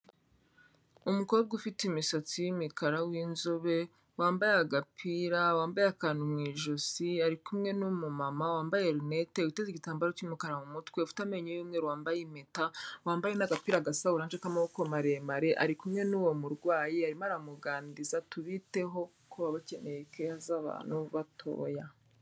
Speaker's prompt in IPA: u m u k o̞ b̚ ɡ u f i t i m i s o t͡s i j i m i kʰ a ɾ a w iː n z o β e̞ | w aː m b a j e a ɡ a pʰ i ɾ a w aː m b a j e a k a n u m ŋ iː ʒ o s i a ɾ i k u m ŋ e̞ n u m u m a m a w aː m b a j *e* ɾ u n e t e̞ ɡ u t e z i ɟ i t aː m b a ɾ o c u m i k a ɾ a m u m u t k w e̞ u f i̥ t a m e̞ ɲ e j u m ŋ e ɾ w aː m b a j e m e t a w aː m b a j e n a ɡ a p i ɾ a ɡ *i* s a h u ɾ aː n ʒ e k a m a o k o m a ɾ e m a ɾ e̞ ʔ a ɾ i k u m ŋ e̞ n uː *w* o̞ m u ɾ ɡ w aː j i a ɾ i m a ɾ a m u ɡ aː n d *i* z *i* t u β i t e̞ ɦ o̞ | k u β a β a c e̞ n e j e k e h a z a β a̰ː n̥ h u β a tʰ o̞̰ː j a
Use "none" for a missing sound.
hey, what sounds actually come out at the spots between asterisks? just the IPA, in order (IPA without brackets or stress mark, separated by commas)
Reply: e, a, w, i, a